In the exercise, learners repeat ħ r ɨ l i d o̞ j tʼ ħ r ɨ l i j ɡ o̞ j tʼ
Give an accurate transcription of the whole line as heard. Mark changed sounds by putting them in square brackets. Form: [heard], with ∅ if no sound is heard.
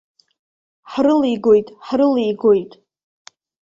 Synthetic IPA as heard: ħ r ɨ l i [ɡ] o̞ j tʼ ħ r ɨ l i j ɡ o̞ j tʼ